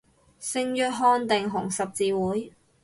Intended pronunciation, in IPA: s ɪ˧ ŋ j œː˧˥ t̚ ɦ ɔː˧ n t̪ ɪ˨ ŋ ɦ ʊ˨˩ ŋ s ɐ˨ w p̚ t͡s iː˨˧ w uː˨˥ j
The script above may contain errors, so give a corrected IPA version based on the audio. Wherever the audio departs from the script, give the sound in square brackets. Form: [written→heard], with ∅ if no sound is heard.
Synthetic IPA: s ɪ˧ ŋ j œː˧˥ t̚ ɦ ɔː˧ n t̪ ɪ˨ ŋ ɦ ʊ˨˩ ŋ s ɐ˨ [w→∅] p̚ t͡s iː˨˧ w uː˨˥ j